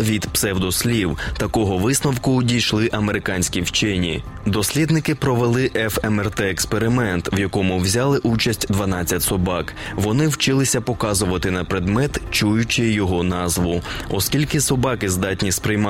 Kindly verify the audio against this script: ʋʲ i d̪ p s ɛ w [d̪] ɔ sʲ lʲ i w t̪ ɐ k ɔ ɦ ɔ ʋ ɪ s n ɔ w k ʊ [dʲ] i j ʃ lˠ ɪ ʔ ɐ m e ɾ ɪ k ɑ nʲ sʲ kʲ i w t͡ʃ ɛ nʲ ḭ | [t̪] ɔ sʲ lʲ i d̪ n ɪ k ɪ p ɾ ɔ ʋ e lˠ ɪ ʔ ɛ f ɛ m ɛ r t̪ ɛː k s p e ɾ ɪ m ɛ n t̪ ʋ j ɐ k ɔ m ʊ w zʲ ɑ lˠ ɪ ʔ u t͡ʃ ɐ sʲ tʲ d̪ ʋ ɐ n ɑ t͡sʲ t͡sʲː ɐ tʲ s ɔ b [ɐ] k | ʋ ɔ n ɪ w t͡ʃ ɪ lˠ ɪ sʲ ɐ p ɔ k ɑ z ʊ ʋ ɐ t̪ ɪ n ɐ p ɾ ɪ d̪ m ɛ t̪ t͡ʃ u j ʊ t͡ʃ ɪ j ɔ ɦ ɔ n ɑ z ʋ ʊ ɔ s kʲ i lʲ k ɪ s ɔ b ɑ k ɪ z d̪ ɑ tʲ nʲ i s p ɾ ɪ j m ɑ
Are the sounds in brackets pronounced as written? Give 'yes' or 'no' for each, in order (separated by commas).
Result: yes, yes, no, no